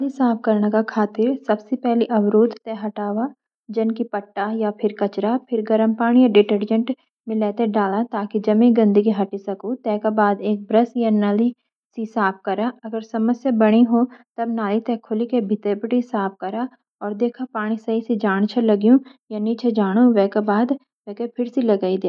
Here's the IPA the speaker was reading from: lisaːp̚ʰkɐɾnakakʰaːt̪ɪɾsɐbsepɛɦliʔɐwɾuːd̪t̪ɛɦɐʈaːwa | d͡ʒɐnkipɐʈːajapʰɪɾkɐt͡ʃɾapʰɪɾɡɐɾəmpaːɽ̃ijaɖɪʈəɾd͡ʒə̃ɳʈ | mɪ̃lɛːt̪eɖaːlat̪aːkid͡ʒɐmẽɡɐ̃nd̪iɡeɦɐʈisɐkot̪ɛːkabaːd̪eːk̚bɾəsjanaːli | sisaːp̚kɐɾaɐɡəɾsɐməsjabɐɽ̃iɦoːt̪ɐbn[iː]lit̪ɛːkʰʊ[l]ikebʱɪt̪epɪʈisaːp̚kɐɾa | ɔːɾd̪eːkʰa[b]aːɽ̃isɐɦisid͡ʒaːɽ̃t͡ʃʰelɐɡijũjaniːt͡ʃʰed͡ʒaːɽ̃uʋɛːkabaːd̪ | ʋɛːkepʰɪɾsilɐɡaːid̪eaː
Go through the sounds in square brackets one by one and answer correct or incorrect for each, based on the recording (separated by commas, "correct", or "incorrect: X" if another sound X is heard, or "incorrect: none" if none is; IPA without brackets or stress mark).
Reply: incorrect: aː, correct, incorrect: p